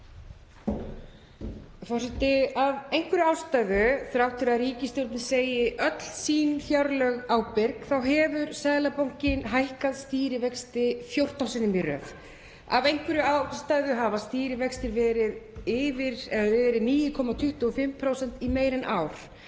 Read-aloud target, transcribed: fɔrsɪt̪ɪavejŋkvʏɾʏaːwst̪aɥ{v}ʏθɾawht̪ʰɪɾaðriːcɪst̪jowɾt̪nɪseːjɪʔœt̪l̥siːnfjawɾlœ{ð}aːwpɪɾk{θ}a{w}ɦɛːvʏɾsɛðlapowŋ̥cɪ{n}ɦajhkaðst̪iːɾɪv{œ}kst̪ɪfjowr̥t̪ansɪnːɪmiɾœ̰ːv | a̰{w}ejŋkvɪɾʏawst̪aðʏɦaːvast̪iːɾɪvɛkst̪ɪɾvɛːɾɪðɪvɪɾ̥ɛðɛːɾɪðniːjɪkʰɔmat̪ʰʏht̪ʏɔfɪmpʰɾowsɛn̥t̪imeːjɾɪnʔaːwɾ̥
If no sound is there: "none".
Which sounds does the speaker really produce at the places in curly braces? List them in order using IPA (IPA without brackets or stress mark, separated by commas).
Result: ð, ɣ, θ, w, n, ɛ, v